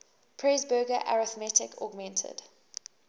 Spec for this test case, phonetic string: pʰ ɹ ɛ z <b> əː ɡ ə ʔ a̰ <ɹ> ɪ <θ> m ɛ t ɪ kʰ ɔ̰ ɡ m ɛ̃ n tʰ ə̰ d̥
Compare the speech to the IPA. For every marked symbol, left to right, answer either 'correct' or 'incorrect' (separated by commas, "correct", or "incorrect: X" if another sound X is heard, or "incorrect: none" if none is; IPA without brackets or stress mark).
correct, correct, correct